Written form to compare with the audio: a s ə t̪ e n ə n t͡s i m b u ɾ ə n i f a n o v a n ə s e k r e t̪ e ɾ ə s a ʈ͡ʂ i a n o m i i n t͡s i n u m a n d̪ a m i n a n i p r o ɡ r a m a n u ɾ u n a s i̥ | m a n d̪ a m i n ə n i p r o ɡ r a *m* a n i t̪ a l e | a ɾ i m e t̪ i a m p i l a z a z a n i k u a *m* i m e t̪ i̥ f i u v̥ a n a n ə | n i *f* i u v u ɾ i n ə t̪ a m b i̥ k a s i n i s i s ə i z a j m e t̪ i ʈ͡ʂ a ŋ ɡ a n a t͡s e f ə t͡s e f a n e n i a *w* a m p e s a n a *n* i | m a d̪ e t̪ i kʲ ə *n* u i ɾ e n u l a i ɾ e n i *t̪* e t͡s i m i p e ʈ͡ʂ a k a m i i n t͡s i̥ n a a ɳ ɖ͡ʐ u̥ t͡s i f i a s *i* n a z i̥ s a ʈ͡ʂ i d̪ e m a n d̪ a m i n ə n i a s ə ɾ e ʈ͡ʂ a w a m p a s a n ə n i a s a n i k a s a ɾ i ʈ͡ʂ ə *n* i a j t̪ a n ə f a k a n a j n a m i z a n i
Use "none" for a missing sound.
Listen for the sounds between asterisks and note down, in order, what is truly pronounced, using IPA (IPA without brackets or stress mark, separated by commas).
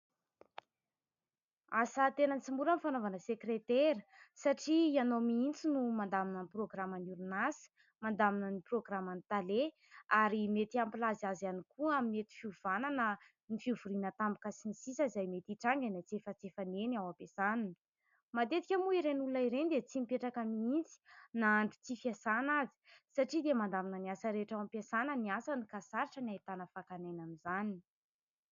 m, m, f, w, n, m, d̪, a, n